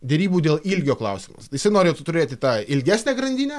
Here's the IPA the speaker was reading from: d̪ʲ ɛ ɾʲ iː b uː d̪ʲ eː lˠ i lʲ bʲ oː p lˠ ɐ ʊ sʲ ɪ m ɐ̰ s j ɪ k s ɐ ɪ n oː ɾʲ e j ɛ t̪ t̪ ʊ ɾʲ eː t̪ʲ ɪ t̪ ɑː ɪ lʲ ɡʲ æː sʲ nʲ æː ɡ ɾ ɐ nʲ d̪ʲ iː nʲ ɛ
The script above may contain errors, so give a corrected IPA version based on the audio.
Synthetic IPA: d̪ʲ ɛ ɾʲ iː b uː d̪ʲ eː lˠ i lʲ ɡʲ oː k lˠ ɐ ʊ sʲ ɪ m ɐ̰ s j ɪ s ɐ ɪ n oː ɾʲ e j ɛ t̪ t̪ ʊ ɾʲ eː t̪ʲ ɪ t̪ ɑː ɪ lʲ ɡʲ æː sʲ nʲ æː ɡ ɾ ɐ nʲ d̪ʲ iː nʲ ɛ

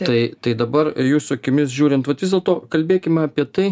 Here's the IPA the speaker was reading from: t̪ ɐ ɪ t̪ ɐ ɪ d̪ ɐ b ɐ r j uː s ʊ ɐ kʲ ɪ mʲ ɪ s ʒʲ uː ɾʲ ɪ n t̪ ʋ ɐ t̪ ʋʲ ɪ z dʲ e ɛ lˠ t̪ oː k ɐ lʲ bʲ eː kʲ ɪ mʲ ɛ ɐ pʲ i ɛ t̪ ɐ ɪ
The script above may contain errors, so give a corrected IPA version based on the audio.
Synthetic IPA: t̪ ɐ ɪ t̪ ɐ ɪ d̪ ɐ b ɐ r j uː s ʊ ɐ kʲ ɪ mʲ ɪ s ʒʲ uː ɾʲ ɪ n t̪ ʋ ɐ t̪ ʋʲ ɪ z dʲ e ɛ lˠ t̪ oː k ɐ lʲ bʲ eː kʲ ɪ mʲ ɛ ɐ pʲ i ɛ t̪ ɐ ɪ

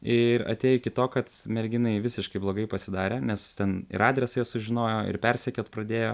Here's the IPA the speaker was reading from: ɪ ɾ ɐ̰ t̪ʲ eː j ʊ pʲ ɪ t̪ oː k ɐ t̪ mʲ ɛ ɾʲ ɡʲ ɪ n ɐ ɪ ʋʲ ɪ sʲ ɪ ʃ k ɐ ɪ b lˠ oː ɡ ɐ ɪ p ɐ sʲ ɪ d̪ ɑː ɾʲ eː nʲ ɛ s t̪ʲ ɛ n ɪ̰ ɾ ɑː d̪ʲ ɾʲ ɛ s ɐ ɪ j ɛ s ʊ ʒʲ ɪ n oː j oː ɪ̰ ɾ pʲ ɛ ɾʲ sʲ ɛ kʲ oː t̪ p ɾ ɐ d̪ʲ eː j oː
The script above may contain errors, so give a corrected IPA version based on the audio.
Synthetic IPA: ɪ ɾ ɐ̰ t̪ʲ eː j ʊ kʲ ɪ t̪ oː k ɐ t̪ mʲ ɛ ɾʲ ɡʲ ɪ n ɐ ɪ ʋʲ ɪ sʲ ɪ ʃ k ɐ ɪ b lˠ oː ɡ ɐ ɪ p ɐ sʲ ɪ d̪ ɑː ɾʲ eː nʲ ɛ s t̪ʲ ɛ n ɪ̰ ɾ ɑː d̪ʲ ɾʲ ɛ s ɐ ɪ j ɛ s ʊ ʒʲ ɪ n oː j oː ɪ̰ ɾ pʲ ɛ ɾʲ sʲ ɛ kʲ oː t̪ p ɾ ɐ d̪ʲ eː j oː

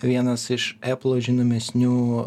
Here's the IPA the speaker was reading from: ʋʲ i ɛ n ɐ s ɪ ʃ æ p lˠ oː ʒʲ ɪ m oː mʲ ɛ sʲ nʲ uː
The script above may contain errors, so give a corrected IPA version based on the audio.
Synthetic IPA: ʋʲ i ɛ n ɐ s ɪ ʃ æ p lˠ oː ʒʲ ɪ n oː mʲ ɛ sʲ nʲ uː

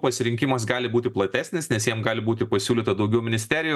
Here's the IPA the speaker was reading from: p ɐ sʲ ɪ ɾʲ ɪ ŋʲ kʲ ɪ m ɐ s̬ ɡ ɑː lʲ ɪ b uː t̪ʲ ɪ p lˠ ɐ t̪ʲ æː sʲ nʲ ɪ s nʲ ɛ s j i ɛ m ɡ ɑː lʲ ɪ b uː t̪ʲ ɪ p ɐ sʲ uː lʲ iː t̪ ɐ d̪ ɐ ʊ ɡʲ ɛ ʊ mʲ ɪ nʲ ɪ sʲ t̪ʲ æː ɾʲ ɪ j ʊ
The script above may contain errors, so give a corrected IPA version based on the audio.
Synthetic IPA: p ɐ sʲ ɪ ɾʲ ɪ ŋʲ kʲ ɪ m ɐ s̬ ɡ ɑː lʲ ɪ b uː t̪ʲ ɪ p lˠ ɐ t̪ʲ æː sʲ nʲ ɪ s nʲ ɛ s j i ɛ m ɡ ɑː lʲ ɪ b uː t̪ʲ ɪ p ɐ sʲ uː lʲ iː t̪ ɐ d̪ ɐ ʊ ɡʲ ɛ ʊ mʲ ɪ nʲ ɪ sʲ t̪ʲ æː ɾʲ ɪ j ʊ

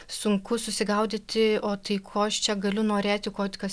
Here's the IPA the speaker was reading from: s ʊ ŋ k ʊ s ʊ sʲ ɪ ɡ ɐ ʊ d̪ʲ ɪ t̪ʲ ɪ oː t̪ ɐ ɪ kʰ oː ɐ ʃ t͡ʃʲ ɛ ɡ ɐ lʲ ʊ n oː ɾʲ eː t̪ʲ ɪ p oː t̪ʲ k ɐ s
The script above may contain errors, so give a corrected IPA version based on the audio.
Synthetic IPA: s ʊ ŋ k ʊ s ʊ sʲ ɪ ɡ ɐ ʊ d̪ʲ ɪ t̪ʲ ɪ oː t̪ ɐ ɪ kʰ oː ɐ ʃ t͡ʃʲ ɛ ɡ ɐ lʲ ʊ n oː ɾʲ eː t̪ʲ ɪ k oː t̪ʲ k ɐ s

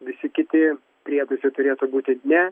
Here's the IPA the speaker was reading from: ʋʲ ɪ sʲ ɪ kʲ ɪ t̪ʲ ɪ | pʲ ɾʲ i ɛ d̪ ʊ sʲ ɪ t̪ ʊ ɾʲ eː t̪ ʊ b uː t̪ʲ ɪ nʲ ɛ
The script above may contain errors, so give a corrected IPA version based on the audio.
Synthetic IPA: ʋʲ ɪ sʲ ɪ kʲ ɪ t̪ʲ ɪ | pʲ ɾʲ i ɛ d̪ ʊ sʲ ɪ t̪ ʊ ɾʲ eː t̪ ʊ b uː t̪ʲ ɪ nʲ ɛ

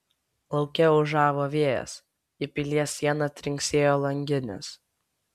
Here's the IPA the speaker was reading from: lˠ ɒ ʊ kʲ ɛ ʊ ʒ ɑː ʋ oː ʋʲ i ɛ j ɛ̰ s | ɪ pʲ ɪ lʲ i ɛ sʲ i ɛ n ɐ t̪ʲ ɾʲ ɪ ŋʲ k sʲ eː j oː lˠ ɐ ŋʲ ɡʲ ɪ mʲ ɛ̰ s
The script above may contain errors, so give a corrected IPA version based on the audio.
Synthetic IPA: lˠ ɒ ʊ kʲ ɛ ʊ ʒ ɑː ʋ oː ʋʲ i ɛ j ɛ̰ s | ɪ pʲ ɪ lʲ i ɛ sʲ i ɛ n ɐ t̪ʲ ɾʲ ɪ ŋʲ k sʲ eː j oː lˠ ɐ ŋʲ ɡʲ ɪ nʲ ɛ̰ s

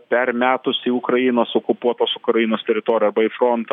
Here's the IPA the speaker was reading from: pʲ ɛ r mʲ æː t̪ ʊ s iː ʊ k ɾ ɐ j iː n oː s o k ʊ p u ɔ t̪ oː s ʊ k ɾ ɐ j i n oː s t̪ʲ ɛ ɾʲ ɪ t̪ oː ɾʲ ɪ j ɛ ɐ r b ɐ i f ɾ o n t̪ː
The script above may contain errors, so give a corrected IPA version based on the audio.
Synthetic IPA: pʲ ɛ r mʲ æː t̪ ʊ s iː ʊ k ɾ ɐ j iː n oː s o k ʊ p u ɔ t̪ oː s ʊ k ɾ ɐ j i n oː s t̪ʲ ɛ ɾʲ ɪ t̪ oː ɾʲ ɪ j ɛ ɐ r b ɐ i f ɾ o n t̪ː

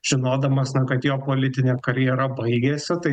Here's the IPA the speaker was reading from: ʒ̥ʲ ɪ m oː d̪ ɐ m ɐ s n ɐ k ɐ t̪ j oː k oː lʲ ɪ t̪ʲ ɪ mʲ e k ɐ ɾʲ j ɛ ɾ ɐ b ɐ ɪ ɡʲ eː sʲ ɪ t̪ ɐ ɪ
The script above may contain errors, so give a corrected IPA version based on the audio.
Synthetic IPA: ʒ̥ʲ ɪ n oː d̪ ɐ m ɐ s n ɐ k ɐ t̪ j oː p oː lʲ ɪ t̪ʲ ɪ nʲ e k ɐ ɾʲ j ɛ ɾ ɐ b ɐ ɪ ɡʲ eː sʲ ɪ t̪ ɐ ɪ

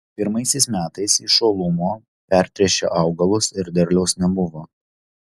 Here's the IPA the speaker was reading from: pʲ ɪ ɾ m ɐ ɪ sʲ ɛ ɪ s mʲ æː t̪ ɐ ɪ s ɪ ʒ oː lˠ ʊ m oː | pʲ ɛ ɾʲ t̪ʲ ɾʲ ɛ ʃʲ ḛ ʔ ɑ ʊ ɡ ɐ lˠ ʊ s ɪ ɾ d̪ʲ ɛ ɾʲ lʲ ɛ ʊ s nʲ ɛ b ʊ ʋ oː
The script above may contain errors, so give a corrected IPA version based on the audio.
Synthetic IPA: pʲ ɪ ɾ m ɐ ɪ sʲ ɛ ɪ s mʲ æː t̪ ɐ ɪ s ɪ ʃ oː lˠ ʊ m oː | pʲ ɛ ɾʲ t̪ʲ ɾʲ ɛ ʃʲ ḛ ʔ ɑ ʊ ɡ ɐ lˠ ʊ s ɪ ɾ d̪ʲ ɛ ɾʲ lʲ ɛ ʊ s nʲ ɛ b ʊ ʋ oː

